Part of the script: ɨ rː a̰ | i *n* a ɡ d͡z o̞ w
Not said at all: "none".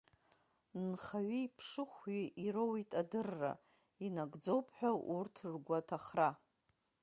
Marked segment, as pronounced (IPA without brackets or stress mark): n